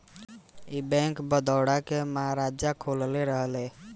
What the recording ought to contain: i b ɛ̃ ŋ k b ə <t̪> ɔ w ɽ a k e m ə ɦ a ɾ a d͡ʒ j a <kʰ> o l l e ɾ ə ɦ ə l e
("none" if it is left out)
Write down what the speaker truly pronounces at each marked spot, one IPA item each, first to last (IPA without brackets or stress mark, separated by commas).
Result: d̪, kʰ